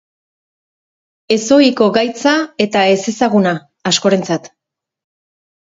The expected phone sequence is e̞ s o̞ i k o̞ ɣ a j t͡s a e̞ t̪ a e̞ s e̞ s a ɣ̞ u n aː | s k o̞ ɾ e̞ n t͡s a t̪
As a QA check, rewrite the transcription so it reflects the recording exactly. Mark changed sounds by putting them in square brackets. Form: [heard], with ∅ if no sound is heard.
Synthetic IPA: e̞ s o̞ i k o̞ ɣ a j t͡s a e̞ t̪ a e̞ s e̞ s a ɣ̞ u n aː | s k o̞ ɾ e̞ n t͡s a t̪